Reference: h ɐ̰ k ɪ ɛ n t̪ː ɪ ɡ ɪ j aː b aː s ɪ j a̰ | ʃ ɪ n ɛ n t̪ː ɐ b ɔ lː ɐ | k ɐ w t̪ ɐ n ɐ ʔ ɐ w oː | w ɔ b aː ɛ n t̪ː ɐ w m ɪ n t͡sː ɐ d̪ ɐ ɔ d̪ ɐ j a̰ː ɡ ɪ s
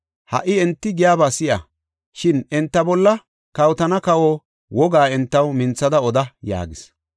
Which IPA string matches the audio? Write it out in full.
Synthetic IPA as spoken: h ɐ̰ ʔ ɪ ɛ n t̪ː ɪ ɡ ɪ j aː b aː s ɪ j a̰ | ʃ ɪ n ɛ n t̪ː ɐ b ɔ lː ɐ | k ɐ w t̪ ɐ n ɐ k ɐ w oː | w ɔ ɡ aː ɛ n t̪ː ɐ w m ɪ n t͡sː ɐ d̪ ɐ ɔ d̪ ɐ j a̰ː ɡ ɪ s